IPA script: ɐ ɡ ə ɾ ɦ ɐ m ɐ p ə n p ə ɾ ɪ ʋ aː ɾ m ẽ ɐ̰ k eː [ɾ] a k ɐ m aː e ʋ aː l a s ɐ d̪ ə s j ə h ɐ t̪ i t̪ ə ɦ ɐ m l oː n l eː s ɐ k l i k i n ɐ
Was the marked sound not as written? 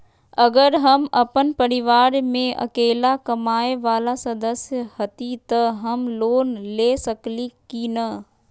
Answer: yes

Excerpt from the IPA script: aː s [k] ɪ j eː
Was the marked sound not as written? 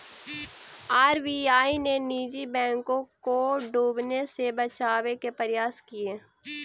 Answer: no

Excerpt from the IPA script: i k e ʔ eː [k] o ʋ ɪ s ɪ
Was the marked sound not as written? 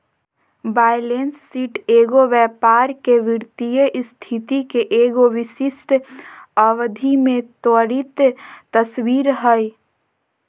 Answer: yes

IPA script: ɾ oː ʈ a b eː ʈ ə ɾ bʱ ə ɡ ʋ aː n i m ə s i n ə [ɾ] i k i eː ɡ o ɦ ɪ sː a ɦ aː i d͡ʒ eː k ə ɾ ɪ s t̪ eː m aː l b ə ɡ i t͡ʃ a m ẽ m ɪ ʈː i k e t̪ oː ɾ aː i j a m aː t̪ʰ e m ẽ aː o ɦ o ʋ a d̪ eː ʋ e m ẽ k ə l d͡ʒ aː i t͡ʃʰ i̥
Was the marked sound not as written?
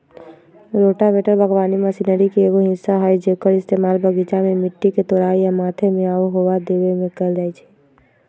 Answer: no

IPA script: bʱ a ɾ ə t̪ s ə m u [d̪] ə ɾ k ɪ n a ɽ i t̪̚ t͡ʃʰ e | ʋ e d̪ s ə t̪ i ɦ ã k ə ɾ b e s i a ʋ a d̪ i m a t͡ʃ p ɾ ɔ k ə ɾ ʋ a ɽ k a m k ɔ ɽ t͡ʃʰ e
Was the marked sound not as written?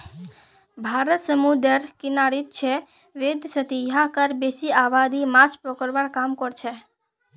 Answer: no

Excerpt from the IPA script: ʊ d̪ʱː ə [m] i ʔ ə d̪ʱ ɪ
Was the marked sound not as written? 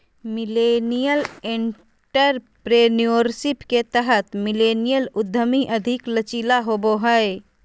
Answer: no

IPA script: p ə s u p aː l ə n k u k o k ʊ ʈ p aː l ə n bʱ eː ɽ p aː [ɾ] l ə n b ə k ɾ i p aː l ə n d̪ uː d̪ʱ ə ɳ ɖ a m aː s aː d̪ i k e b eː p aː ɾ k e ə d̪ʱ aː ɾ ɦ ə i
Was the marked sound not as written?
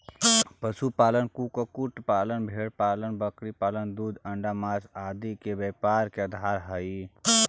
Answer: yes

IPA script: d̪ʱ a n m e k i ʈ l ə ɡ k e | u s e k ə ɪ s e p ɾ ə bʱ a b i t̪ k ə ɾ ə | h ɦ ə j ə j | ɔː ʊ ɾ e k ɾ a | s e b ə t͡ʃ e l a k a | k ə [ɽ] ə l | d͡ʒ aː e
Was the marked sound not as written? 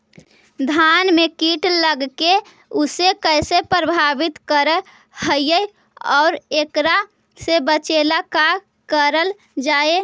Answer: yes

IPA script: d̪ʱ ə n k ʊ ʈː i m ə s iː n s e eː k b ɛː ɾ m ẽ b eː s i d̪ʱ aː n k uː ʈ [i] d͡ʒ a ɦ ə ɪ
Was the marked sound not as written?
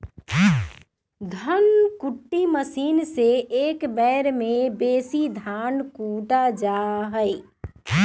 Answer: yes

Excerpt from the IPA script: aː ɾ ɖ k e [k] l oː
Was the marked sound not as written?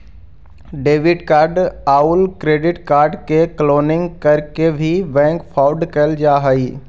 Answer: no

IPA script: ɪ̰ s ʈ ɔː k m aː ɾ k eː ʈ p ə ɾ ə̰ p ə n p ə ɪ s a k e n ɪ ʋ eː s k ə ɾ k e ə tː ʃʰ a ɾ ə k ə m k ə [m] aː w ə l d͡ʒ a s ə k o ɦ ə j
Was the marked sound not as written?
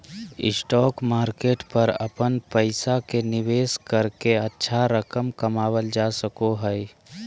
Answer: no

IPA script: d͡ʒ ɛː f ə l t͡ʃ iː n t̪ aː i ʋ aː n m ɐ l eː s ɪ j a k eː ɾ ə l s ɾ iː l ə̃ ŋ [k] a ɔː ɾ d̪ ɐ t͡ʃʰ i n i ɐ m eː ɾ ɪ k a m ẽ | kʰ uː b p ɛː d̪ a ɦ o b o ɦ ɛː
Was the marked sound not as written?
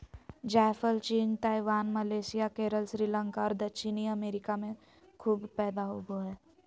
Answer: no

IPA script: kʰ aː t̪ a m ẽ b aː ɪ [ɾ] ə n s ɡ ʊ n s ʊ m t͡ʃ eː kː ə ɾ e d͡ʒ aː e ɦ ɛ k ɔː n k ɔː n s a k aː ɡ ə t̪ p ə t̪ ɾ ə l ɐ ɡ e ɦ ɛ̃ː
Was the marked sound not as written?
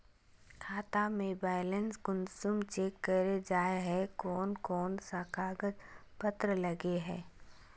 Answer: yes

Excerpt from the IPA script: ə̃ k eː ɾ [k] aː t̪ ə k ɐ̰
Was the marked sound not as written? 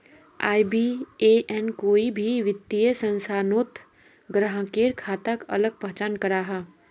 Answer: yes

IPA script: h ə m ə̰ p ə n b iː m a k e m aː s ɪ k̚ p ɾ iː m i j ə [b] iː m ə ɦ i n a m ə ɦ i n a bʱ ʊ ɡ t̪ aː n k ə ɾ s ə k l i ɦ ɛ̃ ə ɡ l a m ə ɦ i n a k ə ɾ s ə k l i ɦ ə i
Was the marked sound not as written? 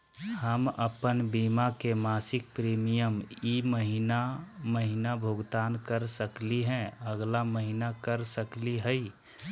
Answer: yes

